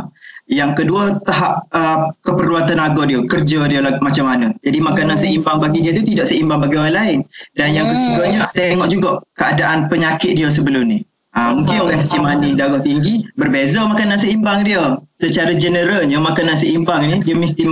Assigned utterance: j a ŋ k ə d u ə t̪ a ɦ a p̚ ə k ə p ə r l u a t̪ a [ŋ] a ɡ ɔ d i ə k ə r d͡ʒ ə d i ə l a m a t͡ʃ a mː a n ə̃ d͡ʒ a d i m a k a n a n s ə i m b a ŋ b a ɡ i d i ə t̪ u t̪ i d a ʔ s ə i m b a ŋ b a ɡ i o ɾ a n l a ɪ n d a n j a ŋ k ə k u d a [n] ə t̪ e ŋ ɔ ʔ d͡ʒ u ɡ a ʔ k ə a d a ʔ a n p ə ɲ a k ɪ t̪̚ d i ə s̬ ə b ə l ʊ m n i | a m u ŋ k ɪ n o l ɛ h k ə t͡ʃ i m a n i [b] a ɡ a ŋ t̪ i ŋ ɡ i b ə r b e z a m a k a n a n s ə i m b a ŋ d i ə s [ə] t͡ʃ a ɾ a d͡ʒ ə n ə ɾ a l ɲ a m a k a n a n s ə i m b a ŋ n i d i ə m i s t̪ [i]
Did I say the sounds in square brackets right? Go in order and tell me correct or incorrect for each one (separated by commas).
incorrect, incorrect, incorrect, correct, correct